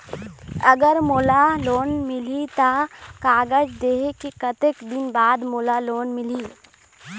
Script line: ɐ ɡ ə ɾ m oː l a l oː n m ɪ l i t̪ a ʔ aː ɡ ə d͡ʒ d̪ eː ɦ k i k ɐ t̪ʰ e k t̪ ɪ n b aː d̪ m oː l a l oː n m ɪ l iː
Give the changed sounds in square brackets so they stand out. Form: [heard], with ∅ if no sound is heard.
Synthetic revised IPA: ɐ ɡ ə ɾ m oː l a l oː n m ɪ l i t̪ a [k] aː ɡ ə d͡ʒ d̪ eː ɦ k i k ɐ [t̪] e k [d̪] ɪ n b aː d̪ m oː l a l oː n m ɪ l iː